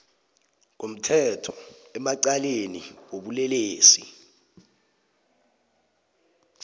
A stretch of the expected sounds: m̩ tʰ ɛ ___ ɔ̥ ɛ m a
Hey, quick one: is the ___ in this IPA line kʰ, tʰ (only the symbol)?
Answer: tʰ